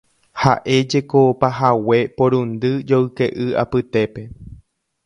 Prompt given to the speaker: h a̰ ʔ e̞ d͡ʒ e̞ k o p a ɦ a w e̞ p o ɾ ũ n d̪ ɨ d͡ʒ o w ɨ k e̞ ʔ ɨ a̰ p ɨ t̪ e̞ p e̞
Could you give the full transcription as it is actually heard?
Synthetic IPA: h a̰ ʔ e̞ d͡ʒ e̞ k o p a ɦ a w e̞ p o ɾ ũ n d̪ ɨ d͡ʒ o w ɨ k e̞ ʔ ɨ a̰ p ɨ t̪ e̞ p e̞